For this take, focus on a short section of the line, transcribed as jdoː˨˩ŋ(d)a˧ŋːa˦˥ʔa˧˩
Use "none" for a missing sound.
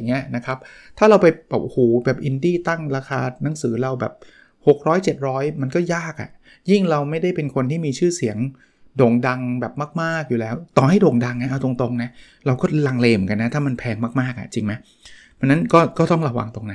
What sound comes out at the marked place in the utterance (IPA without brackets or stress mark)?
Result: d